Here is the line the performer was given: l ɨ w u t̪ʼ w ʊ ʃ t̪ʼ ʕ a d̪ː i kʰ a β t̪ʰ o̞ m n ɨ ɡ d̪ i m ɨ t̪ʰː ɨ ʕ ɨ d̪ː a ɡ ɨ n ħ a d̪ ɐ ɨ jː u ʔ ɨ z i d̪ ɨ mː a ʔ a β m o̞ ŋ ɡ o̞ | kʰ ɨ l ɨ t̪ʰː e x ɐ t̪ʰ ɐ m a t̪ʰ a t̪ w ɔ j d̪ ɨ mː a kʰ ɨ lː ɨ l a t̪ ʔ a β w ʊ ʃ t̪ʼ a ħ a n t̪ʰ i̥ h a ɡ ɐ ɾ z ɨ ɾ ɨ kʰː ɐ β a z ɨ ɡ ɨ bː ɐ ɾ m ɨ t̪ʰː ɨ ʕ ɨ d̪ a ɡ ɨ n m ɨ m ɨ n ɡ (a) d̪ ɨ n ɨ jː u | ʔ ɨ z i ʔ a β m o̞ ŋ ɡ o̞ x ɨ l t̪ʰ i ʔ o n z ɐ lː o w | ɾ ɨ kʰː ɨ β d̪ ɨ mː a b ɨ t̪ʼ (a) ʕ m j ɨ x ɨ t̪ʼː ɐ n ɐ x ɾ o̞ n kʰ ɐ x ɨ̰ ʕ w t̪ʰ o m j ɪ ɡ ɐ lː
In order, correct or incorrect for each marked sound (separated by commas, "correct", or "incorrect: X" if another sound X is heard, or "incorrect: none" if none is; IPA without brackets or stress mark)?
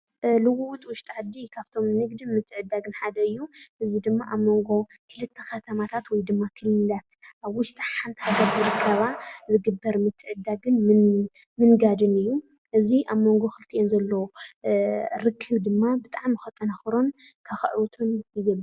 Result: correct, correct